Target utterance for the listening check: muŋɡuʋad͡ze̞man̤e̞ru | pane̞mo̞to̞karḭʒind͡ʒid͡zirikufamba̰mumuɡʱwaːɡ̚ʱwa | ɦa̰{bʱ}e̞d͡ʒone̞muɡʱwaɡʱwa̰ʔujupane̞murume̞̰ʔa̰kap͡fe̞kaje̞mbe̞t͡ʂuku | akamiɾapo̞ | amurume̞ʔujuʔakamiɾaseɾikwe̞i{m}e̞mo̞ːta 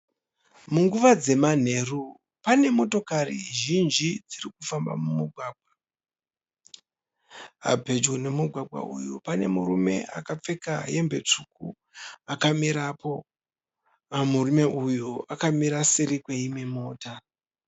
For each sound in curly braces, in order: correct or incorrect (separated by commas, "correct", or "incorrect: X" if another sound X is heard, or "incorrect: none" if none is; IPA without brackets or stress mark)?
correct, correct